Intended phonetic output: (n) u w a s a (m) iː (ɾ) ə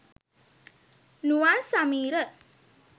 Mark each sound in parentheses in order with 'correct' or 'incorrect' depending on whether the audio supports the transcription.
correct, correct, correct

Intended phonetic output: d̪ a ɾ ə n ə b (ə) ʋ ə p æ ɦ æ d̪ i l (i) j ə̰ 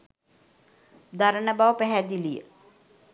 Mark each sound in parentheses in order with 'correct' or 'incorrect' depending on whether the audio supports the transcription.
incorrect: a, correct

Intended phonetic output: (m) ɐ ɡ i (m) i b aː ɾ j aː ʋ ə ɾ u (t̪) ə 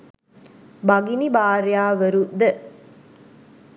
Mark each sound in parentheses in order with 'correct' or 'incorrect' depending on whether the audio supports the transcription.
incorrect: b, incorrect: n, incorrect: d̪

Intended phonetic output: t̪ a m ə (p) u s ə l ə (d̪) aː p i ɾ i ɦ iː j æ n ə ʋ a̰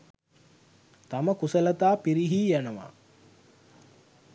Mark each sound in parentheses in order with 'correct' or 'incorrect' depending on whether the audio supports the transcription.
incorrect: k, incorrect: t̪

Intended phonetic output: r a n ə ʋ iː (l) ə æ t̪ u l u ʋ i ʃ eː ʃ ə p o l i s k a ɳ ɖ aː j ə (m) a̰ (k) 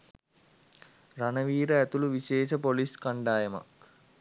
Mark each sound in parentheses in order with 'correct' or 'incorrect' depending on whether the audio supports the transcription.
incorrect: ɾ, correct, correct

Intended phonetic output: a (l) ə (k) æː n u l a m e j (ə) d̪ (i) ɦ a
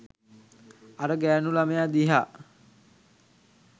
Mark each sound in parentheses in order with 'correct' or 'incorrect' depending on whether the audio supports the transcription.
incorrect: ɾ, incorrect: ɡ, incorrect: a, correct

